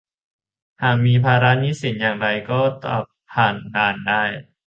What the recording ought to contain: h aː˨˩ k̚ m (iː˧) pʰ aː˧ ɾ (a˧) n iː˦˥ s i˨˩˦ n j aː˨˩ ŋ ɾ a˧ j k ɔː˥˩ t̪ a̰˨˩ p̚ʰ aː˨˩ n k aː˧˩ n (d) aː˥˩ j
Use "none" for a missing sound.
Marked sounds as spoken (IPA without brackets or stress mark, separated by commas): iː˧, a˦˥, d